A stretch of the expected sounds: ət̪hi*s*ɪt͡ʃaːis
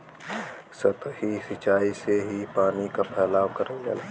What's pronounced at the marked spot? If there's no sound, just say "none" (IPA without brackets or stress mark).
s